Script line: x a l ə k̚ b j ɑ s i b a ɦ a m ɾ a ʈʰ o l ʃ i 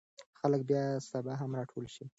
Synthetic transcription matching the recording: x a l ə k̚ b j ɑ s a b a ɦ a m ɾ ɑ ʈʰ o l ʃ i